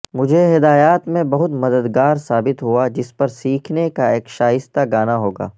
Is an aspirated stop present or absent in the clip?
present